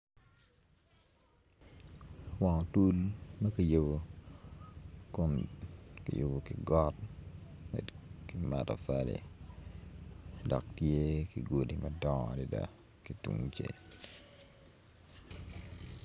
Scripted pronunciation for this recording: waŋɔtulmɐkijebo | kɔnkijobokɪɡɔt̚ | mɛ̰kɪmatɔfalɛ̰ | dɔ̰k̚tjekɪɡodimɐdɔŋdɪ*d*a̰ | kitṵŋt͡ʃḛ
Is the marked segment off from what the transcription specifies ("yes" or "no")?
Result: no